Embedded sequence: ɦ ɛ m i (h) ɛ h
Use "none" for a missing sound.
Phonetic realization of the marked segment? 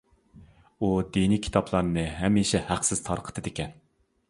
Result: ʃ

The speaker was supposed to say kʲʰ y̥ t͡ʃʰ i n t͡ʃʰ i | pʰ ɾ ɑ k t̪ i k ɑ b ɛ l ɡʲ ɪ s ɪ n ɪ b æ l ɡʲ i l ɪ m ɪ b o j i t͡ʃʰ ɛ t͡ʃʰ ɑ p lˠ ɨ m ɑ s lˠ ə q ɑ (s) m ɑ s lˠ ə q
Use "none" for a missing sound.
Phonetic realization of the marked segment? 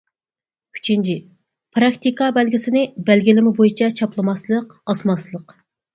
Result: s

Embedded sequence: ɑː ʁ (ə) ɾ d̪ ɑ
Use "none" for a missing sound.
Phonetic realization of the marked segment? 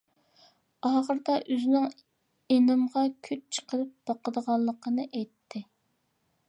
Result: ə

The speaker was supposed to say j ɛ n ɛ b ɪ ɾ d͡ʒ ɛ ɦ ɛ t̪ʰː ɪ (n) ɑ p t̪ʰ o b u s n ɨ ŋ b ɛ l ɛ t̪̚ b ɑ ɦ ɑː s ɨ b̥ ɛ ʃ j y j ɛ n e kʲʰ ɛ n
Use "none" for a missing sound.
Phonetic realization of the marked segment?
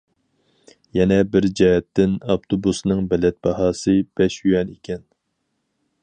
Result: n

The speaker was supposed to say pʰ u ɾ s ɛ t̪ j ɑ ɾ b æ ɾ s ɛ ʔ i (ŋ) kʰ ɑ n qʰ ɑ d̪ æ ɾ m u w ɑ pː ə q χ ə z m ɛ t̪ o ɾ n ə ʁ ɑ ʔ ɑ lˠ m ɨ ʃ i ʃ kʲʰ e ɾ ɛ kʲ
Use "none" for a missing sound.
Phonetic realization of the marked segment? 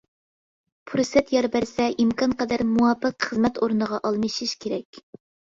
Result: m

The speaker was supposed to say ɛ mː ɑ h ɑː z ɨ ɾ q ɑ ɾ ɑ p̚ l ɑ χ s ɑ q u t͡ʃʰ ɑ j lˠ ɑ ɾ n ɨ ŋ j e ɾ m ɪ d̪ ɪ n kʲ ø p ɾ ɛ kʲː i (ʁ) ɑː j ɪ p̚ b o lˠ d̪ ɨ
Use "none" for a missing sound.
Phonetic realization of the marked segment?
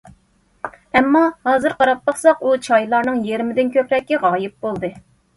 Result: ʁ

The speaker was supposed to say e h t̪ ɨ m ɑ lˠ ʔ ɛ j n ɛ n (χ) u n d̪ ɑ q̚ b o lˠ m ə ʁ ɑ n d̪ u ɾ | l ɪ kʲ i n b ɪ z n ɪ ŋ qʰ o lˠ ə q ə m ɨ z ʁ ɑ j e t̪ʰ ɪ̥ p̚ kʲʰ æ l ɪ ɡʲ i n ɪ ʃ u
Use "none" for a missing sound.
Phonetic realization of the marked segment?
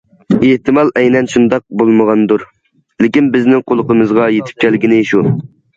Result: ʃ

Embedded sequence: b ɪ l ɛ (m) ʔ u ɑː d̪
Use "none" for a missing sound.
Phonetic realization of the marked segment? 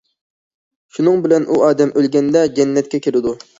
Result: n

